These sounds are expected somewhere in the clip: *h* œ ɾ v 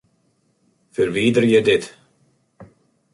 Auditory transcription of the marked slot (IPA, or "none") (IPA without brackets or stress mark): f